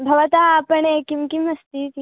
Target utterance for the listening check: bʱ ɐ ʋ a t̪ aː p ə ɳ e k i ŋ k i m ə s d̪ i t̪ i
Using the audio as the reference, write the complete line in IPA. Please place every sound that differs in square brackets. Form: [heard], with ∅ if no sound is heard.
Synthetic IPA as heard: bʱ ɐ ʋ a t̪ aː p ə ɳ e k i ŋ k i m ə s [t̪] i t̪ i